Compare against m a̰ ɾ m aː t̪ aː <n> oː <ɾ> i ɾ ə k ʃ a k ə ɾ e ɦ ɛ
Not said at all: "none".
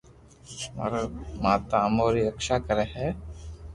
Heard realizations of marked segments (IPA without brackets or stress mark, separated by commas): m, ɾ